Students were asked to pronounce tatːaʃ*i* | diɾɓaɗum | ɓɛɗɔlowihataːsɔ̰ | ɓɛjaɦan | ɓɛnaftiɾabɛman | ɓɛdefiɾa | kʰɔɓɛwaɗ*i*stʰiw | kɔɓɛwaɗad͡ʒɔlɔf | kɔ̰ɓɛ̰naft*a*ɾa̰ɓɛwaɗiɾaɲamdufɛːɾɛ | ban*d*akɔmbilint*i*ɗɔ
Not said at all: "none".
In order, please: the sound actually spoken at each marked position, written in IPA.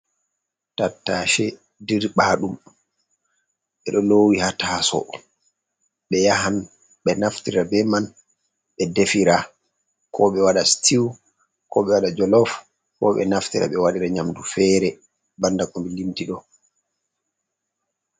ɛ, a, i, d, i

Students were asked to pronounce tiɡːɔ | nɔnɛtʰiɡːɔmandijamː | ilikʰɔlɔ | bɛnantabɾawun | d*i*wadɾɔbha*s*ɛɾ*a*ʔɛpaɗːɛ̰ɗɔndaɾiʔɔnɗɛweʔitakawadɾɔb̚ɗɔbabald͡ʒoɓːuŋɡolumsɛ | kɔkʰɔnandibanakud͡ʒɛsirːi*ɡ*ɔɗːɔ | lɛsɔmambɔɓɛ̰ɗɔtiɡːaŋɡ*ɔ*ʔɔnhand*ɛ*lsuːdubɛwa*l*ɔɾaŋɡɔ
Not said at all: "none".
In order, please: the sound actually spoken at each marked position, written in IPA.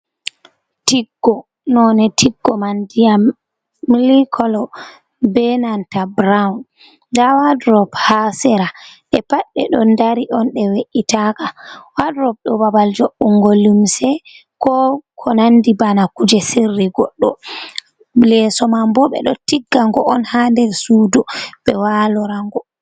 a, s, a, ɡ, ɔ, ɛ, l

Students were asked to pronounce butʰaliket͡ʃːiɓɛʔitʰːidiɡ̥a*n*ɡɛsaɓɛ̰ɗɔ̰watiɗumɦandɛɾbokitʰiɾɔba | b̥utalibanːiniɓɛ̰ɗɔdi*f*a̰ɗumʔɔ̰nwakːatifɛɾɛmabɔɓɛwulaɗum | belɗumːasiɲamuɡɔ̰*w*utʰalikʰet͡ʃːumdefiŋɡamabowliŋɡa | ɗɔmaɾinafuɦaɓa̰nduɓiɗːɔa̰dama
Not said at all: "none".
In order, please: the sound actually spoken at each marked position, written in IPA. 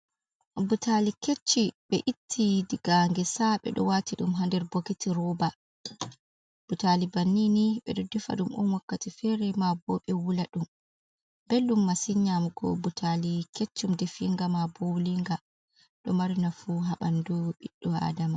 ŋ, f, b

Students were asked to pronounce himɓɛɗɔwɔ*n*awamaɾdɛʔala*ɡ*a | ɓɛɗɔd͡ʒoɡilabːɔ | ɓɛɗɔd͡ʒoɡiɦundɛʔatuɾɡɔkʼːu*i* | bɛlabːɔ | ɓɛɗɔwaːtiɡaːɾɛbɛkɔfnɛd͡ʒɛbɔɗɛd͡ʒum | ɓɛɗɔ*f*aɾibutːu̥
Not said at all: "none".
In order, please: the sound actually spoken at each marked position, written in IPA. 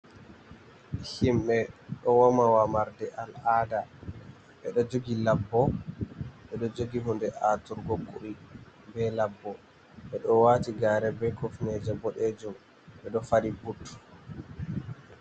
m, d, i, f

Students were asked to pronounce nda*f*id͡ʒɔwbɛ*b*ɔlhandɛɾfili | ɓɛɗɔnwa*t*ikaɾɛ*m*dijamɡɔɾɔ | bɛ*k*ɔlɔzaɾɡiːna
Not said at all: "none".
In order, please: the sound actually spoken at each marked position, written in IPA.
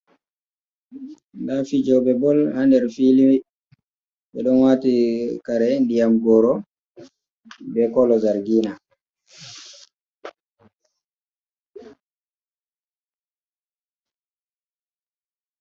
f, b, t, n, k

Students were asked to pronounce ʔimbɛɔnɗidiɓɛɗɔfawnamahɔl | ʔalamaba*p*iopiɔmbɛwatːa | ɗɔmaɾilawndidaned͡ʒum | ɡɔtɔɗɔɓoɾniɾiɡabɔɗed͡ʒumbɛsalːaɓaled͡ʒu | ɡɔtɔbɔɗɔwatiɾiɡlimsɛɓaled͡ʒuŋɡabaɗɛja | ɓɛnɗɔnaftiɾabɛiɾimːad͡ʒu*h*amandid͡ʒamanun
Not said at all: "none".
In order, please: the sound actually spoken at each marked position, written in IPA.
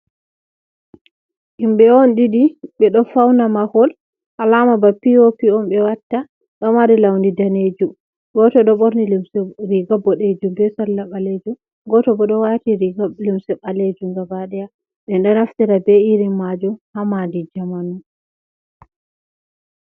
p, h

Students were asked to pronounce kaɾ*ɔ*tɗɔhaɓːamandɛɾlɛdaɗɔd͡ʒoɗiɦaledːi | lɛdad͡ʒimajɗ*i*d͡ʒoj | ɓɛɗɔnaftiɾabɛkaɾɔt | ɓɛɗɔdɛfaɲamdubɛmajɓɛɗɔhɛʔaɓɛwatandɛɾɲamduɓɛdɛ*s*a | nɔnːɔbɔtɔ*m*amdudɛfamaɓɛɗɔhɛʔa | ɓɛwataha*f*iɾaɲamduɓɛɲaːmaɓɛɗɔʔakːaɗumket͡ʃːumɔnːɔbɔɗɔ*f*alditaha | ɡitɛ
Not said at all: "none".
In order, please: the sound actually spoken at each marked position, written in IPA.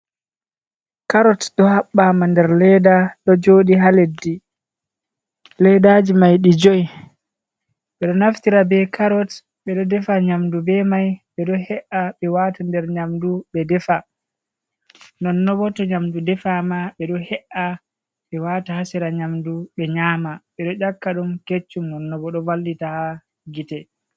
ɔ, i, f, ɲ, s, v

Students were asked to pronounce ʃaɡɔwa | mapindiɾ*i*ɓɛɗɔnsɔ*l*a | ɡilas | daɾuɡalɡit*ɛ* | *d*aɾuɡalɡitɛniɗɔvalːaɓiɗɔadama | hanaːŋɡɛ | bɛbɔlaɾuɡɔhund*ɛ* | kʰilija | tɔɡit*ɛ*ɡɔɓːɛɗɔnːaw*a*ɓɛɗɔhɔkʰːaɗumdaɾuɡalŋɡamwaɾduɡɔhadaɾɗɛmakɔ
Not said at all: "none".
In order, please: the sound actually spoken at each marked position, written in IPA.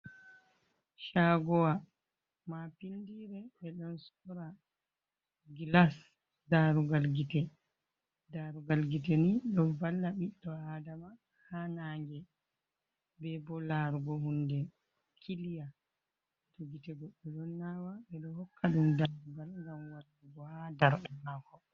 ɛ, ɾ, ɛ, d, ɛ, ɛ, a

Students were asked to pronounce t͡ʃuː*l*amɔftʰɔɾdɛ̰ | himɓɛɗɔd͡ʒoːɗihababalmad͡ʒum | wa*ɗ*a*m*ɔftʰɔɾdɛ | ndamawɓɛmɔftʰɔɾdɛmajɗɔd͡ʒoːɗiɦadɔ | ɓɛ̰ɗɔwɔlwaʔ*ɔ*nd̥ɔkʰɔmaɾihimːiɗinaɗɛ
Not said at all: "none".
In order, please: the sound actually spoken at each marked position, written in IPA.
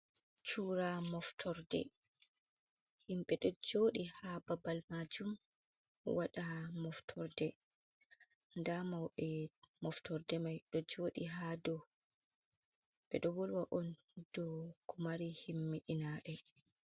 ɾ, ɗ, m, ɔ

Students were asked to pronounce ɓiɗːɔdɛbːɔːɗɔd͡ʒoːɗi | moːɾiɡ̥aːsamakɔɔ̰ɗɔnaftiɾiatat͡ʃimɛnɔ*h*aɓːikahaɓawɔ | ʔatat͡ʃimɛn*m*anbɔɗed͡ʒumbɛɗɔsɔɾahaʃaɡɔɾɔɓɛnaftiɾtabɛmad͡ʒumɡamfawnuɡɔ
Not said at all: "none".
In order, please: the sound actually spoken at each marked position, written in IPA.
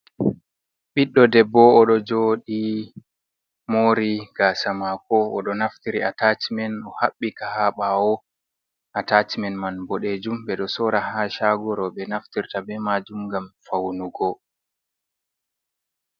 h, m

